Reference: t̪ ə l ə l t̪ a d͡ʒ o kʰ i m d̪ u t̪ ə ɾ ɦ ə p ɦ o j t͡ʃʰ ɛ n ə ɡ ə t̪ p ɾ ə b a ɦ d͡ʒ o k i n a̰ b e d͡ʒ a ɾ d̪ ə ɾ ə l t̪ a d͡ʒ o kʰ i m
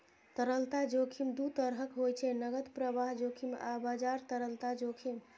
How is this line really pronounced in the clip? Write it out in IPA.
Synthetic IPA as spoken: t̪ ə ɾ ə l t̪ a d͡ʒ o kʰ i m d̪ u t̪ ə ɾ ɦ ə k ɦ o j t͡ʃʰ ɛ n ə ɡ ə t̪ p ɾ ə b a ɦ d͡ʒ o kʰ i m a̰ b a d͡ʒ a ɾ t̪ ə ɾ ə l t̪ a d͡ʒ o kʰ i m